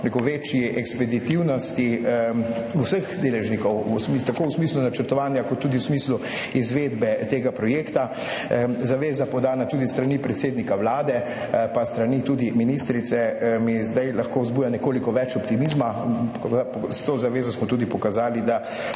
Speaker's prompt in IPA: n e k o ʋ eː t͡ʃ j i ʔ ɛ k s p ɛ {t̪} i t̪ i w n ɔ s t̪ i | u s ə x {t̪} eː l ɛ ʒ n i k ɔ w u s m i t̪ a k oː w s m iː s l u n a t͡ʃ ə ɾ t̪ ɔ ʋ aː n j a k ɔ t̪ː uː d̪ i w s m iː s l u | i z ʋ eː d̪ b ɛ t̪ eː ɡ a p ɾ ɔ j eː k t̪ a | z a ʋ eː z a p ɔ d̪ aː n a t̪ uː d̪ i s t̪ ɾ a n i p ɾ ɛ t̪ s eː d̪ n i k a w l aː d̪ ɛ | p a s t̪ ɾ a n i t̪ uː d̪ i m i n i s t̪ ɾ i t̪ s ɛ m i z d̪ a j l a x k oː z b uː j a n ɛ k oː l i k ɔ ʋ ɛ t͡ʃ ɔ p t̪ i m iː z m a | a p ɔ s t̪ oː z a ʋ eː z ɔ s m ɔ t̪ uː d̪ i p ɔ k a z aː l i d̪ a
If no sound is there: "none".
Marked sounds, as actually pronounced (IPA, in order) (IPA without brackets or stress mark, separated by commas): d̪, d̪